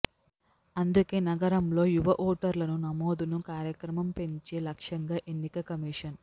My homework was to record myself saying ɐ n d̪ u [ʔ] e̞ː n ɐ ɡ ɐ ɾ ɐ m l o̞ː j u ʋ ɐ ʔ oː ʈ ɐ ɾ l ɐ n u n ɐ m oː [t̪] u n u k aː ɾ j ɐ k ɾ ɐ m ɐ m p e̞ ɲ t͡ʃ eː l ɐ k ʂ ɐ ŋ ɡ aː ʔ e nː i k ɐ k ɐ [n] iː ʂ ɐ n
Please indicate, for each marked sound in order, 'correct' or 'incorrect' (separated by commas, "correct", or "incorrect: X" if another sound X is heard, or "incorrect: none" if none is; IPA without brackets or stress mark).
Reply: incorrect: k, incorrect: d̪, incorrect: m